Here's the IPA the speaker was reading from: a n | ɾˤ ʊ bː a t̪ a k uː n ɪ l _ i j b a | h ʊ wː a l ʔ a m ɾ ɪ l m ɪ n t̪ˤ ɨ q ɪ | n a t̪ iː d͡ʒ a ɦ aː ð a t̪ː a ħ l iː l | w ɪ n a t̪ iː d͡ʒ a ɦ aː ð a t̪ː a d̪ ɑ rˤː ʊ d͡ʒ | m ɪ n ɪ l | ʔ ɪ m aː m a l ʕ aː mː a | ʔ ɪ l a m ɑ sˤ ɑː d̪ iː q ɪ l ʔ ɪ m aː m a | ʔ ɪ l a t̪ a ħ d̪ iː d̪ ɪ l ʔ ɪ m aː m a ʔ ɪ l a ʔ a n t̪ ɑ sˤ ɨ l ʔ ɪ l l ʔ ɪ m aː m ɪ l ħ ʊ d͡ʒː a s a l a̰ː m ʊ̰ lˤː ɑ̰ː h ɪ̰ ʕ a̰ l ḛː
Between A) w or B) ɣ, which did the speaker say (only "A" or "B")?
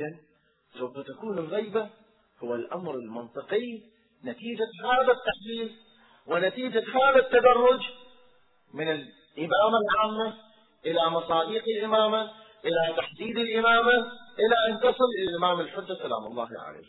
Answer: B